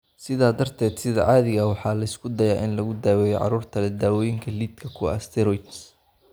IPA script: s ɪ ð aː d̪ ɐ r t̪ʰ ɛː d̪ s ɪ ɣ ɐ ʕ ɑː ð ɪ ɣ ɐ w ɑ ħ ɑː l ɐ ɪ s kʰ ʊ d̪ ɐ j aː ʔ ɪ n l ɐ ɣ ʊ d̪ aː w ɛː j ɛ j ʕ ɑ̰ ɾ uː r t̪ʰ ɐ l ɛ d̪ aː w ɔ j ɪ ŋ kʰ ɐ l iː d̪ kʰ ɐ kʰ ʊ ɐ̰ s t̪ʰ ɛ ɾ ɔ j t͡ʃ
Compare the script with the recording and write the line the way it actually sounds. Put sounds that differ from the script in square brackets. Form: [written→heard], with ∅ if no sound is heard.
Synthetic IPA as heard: s ɪ ð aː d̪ ɐ r t̪ʰ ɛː d̪ s ɪ [ɣ→ð] ɐ ʕ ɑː ð ɪ ɣ ɐ w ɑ ħ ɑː l ɐ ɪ s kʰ ʊ d̪ ɐ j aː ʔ ɪ n l ɐ ɣ ʊ d̪ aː w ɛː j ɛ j ʕ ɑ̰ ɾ uː r t̪ʰ ɐ l ɛ d̪ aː w ɔ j ɪ ŋ kʰ ɐ l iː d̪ kʰ ɐ kʰ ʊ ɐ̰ s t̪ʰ ɛ ɾ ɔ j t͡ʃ